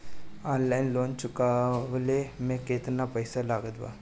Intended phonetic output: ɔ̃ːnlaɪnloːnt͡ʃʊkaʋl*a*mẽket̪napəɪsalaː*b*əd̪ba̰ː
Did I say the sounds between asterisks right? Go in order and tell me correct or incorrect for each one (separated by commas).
incorrect, incorrect